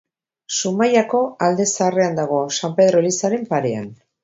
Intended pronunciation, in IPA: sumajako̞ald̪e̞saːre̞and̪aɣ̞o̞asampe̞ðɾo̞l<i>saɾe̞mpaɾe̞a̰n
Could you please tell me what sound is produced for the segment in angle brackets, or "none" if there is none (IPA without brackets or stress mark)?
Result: i